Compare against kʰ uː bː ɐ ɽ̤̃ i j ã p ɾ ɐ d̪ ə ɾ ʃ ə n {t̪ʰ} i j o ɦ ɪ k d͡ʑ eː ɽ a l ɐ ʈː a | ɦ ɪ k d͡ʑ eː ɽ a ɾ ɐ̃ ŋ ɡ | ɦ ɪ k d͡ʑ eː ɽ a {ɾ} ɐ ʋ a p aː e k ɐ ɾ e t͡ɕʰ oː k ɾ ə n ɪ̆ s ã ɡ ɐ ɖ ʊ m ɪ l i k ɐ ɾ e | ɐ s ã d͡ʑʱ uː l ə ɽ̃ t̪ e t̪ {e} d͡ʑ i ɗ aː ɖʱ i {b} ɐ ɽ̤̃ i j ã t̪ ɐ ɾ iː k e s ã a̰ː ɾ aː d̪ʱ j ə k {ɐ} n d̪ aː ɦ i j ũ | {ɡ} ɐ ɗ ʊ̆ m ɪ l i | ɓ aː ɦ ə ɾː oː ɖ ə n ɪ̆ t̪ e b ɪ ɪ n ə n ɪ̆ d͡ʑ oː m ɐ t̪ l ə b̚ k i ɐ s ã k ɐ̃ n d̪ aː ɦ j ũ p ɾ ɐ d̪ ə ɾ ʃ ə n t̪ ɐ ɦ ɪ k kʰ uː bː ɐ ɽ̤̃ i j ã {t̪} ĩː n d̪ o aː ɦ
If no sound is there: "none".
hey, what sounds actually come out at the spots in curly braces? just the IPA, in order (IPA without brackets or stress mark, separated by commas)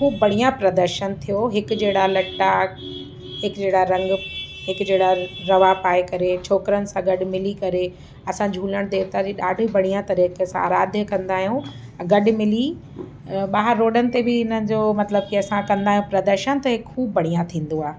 t̪ʰ, ɾ, a, b, ɐ̃, ɡ, t̪ʰ